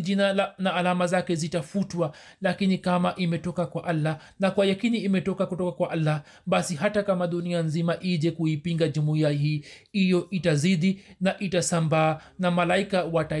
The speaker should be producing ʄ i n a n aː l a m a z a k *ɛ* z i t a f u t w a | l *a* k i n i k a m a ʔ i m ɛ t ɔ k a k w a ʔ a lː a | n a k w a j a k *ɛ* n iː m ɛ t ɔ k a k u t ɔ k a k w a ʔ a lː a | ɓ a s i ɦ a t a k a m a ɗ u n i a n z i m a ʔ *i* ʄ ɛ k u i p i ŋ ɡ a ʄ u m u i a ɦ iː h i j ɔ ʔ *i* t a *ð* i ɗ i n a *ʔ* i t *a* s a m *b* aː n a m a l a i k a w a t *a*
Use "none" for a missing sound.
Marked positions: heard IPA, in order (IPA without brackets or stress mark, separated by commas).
ɛ, a, i, i, i, z, ʔ, a, b, a